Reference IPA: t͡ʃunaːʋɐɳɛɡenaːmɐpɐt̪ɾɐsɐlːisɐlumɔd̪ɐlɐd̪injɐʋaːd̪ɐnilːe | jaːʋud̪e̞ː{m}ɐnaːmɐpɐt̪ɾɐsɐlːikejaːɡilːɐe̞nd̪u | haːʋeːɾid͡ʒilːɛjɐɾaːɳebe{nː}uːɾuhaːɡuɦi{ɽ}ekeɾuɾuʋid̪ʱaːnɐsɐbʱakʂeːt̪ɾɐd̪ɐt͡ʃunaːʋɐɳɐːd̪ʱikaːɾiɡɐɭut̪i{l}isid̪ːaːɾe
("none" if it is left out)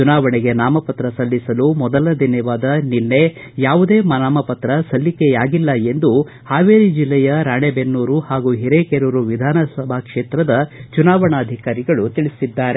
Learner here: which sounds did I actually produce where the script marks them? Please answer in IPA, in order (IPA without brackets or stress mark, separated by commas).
m, nː, ɾ, ɭ